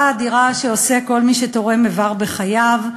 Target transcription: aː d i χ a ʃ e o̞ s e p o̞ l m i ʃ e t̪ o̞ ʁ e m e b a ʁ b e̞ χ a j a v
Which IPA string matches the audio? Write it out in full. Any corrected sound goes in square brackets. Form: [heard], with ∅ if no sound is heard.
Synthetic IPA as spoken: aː d i [ʁ] a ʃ e o̞ s e [k] o̞ l m i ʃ e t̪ o̞ ʁ e m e [v] a ʁ b e̞ χ a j a v